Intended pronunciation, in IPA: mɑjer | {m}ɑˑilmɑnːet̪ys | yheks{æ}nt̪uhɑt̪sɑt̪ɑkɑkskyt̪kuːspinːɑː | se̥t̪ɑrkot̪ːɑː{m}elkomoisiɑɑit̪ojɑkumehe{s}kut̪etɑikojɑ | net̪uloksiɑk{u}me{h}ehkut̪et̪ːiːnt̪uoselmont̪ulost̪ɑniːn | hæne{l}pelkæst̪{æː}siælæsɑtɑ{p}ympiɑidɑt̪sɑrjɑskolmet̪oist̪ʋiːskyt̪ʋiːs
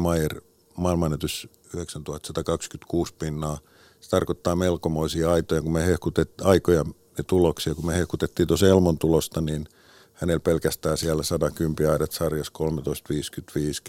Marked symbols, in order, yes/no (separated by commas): yes, yes, yes, no, yes, yes, yes, yes, no